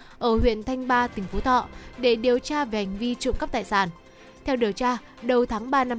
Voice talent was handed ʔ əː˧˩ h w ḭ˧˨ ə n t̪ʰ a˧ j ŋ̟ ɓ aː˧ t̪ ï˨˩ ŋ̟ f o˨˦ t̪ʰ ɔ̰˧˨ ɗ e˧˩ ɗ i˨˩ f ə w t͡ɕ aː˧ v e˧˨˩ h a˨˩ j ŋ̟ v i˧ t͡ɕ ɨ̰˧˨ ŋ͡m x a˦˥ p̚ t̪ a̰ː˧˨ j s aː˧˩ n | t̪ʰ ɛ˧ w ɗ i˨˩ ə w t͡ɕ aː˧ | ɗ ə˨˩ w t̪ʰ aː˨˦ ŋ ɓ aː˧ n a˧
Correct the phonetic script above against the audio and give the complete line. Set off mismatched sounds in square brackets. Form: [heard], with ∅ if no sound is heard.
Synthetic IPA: ʔ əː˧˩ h w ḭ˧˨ ə n t̪ʰ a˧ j ŋ̟ ɓ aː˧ t̪ ï˨˩ ŋ̟ f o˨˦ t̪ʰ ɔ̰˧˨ ɗ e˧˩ ɗ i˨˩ [∅] ə w t͡ɕ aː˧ v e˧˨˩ h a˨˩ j ŋ̟ v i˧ t͡ɕ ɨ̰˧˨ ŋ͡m [k] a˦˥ p̚ t̪ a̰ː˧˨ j s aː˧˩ n | t̪ʰ ɛ˧ w ɗ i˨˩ ə w t͡ɕ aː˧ | ɗ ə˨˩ w t̪ʰ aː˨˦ ŋ ɓ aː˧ n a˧